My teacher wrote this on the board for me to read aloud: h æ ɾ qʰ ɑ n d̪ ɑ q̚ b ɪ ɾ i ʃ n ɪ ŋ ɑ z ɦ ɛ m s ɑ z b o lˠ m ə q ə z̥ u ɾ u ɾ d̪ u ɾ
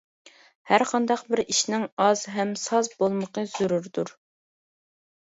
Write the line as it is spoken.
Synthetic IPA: h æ ɾ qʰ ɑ n d̪ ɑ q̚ b ɪ ɾ i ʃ n ɪ ŋ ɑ z ɦ ɛ m s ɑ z b o lˠ m ə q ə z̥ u ɾ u ɾ d̪ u ɾ